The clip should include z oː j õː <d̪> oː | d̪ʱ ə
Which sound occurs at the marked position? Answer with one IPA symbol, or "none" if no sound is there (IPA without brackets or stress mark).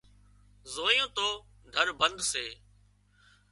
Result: t̪